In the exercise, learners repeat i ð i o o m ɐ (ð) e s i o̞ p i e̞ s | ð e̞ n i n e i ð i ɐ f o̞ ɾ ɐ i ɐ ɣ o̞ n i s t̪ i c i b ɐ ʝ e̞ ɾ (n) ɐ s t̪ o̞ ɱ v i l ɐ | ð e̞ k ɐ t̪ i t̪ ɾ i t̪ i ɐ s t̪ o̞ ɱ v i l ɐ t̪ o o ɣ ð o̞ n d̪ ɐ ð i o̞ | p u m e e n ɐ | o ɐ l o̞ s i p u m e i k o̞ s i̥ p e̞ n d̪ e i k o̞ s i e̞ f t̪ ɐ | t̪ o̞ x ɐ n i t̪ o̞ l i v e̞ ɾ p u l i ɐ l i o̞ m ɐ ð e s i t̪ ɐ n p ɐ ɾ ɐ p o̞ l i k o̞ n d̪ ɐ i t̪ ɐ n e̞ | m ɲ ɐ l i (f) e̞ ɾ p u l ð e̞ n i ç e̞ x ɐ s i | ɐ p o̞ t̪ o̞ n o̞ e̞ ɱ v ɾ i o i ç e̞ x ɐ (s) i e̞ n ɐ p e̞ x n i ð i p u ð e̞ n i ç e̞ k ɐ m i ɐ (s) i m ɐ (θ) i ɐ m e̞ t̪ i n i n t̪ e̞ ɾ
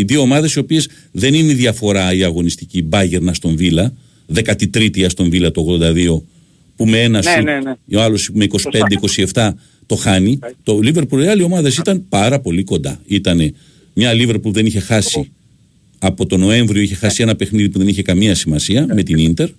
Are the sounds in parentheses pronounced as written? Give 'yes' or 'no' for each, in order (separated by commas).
yes, yes, no, yes, yes, no